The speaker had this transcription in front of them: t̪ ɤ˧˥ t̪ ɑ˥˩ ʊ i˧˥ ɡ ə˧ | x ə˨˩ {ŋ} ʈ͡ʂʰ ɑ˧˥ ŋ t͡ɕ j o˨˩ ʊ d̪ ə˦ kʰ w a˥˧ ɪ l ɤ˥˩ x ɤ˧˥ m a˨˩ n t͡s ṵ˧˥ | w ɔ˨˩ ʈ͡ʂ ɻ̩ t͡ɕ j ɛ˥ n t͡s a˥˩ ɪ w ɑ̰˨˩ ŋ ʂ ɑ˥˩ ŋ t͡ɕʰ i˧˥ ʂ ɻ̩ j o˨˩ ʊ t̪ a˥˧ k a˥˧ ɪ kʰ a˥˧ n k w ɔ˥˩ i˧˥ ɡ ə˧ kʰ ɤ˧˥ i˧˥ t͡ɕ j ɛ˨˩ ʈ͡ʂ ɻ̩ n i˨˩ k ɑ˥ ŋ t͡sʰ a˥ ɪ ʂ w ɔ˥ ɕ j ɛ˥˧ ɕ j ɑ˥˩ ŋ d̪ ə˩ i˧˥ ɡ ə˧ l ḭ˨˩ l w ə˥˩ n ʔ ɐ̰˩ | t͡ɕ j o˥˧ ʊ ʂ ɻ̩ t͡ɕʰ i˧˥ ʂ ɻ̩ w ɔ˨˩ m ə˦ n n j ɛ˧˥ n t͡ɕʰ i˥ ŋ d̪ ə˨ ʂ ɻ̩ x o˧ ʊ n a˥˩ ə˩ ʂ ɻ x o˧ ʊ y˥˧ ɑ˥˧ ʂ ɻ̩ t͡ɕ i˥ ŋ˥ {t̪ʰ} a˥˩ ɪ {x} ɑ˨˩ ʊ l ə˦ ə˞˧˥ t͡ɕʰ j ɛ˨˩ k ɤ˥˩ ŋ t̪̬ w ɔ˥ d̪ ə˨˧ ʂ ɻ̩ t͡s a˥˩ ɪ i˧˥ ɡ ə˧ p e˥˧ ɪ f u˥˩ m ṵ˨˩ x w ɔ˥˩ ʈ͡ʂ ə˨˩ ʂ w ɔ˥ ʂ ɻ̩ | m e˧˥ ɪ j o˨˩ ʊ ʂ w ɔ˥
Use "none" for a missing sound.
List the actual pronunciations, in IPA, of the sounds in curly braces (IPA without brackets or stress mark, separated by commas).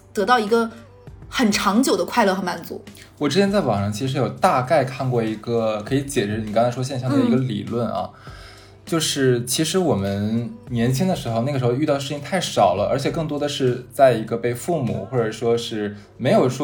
n, t̪ʰ, ʂ